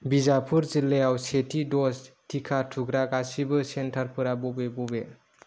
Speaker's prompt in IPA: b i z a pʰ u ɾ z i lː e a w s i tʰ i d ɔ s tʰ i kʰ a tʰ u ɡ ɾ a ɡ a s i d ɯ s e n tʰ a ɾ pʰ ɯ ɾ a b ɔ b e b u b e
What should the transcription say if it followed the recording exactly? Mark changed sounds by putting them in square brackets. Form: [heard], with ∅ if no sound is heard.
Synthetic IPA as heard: b i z a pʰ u ɾ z i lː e a w s [e] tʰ i d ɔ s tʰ i kʰ a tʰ u ɡ ɾ a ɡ a s i [b] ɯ s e n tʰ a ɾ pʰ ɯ ɾ a b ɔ b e b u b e